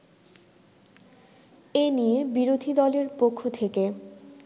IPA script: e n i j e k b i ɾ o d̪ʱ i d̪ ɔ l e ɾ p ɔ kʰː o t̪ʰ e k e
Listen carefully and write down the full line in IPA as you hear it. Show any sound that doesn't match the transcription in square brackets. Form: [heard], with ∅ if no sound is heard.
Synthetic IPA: e n i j e [∅] b i ɾ o d̪ʱ i d̪ ɔ l e ɾ p [o] kʰː o t̪ʰ e k e